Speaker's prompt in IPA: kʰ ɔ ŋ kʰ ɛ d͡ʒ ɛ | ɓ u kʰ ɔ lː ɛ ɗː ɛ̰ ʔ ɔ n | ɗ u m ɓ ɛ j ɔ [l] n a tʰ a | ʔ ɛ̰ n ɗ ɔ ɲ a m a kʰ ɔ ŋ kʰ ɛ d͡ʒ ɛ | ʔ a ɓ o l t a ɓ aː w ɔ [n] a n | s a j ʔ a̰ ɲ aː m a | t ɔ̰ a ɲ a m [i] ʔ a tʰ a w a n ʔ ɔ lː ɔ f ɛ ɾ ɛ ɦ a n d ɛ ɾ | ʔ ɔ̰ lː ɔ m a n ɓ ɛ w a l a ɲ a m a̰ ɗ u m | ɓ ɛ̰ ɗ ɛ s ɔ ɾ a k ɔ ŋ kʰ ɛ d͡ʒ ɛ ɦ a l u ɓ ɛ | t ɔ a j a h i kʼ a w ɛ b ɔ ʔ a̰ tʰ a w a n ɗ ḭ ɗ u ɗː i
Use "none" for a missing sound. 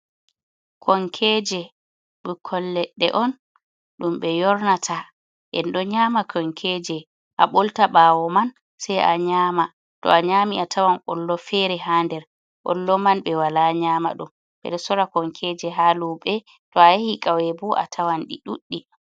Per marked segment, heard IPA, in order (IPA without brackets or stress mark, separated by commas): ɾ, m, i